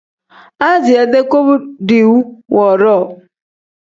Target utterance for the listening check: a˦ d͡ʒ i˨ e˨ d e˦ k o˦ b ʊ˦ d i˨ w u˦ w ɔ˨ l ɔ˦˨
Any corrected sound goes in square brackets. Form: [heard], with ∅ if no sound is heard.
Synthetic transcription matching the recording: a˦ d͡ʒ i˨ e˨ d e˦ k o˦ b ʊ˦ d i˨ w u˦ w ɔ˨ [ɾ] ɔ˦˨